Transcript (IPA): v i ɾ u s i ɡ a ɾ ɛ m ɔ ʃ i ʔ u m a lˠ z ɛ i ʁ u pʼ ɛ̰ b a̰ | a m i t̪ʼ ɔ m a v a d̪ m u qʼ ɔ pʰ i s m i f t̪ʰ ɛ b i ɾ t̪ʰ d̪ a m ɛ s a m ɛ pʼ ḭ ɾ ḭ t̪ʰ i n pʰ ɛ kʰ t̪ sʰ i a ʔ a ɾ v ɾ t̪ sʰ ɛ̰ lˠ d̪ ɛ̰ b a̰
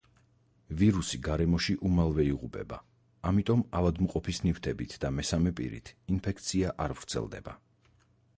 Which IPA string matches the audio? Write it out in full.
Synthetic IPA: v i ɾ u s i ɡ a ɾ ɛ m ɔ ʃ i ʔ u m a lˠ v ɛ i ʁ u pʼ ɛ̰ b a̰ | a m i t̪ʼ ɔ m a v a d̪ m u qʼ ɔ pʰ i s n i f t̪ʰ ɛ b i t̪ʰ d̪ a m ɛ s a m ɛ pʼ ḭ ɾ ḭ t̪ʰ i n pʰ ɛ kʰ t̪ sʰ i a ʔ a ɾ v ɾ t̪ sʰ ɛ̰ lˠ d̪ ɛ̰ b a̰